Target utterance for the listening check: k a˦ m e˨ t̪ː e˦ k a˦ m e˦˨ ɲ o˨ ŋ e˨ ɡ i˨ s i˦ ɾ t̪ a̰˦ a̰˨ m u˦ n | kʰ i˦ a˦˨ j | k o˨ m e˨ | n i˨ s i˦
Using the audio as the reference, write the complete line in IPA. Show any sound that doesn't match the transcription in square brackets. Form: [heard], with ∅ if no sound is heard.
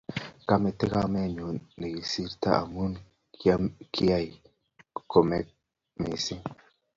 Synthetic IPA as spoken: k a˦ m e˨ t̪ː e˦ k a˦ m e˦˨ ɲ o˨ [n] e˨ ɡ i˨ s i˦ ɾ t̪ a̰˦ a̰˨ m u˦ n | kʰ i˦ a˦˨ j | k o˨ m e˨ | [m] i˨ s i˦